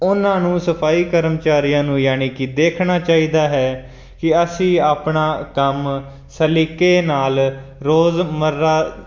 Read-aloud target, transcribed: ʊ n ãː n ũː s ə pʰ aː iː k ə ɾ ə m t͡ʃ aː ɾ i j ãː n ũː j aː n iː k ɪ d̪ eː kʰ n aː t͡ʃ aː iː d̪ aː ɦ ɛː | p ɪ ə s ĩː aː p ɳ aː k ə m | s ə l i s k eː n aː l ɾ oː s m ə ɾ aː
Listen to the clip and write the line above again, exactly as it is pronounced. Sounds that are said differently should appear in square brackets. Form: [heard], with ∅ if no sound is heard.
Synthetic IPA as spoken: ʊ n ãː n ũː s ə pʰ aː iː k ə ɾ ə m t͡ʃ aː ɾ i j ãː n ũː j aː n iː k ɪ d̪ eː kʰ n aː t͡ʃ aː iː d̪ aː ɦ ɛː | [k] ɪ ə s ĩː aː p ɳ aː k ə m | s ə l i [∅] k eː n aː l ɾ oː [z] m ə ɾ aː